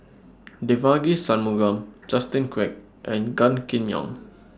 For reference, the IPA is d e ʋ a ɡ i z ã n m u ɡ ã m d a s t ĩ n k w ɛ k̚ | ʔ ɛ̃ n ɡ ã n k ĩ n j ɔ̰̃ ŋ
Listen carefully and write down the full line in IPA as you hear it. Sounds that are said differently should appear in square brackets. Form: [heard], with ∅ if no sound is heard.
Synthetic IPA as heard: d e [v] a ɡ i [s] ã n m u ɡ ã m [d͡ʒ] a s t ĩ n k w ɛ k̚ | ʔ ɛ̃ n ɡ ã n k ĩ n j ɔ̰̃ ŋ